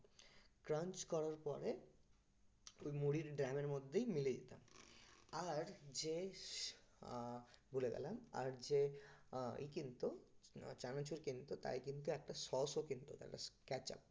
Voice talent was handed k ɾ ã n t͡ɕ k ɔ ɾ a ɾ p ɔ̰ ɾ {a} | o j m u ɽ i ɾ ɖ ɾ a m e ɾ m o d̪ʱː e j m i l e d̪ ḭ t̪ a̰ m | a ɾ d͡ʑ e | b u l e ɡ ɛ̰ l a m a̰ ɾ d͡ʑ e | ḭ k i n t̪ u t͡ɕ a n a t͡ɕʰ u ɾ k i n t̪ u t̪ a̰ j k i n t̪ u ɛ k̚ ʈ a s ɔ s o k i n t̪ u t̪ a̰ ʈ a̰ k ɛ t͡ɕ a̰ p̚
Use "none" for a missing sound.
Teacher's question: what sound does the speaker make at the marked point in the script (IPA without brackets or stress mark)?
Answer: e